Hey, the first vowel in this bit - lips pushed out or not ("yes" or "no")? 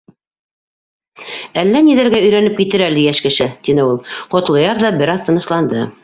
no